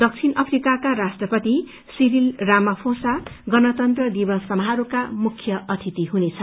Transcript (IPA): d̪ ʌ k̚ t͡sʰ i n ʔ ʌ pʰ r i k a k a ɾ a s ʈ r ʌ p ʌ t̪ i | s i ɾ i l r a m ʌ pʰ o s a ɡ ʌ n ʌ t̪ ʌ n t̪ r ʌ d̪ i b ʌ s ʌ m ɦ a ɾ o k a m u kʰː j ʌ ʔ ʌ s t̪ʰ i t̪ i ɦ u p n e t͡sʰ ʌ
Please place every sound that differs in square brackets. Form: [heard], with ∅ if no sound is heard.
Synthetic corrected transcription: d̪ ʌ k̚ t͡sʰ i n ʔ ʌ pʰ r i k a k a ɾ a s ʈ r ʌ p ʌ t̪ i | s i ɾ i l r a m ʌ pʰ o s a ɡ ʌ n ʌ t̪ ʌ n t̪ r ʌ d̪ i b ʌ s ʌ m ɦ a ɾ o k a m u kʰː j ʌ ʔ ʌ [∅] t̪ʰ i t̪ i ɦ u [∅] n e t͡sʰ ʌ